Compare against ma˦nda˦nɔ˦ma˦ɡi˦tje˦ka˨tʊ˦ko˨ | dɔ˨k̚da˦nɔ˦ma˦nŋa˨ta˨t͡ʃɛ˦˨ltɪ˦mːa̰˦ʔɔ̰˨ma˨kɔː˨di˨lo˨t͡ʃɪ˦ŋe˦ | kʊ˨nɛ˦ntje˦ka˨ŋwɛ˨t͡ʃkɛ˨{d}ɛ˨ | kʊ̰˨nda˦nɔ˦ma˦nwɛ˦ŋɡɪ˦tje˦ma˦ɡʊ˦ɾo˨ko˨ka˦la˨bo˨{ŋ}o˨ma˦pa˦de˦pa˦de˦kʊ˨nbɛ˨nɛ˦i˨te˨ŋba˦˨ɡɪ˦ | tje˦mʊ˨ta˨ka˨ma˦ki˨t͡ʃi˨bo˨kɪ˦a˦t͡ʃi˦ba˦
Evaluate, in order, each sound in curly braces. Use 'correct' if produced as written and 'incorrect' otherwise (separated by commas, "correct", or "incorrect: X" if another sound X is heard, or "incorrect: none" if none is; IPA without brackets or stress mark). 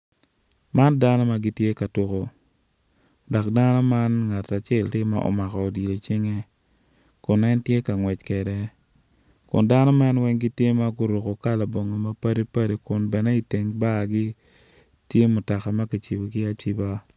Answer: correct, correct